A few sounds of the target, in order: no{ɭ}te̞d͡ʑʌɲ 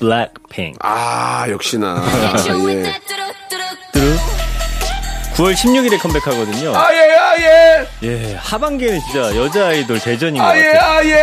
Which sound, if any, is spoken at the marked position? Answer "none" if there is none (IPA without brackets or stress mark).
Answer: ɭ